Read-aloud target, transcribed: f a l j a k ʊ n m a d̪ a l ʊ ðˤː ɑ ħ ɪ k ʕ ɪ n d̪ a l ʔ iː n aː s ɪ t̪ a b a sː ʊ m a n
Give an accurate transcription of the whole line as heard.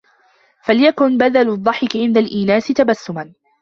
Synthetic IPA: f a l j a k ʊ n b a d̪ a l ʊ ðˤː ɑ ħ ɪ k ʕ ɪ n d̪ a l ʔ iː n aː s ɪ t̪ a b a sː ʊ m a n